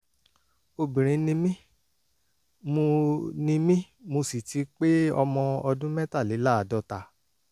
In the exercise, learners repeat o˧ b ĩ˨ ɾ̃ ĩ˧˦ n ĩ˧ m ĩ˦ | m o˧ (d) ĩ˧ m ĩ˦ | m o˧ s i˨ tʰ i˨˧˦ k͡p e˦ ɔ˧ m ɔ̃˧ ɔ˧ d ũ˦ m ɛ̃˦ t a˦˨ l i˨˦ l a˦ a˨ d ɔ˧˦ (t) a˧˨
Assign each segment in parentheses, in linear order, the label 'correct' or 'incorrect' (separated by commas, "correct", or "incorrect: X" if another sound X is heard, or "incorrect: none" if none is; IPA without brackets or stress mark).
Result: incorrect: n, correct